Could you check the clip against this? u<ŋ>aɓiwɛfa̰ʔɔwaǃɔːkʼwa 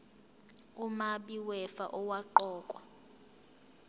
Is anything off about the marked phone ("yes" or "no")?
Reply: yes